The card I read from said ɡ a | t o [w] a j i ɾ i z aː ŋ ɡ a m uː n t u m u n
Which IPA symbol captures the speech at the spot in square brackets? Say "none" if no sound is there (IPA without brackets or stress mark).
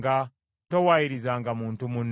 w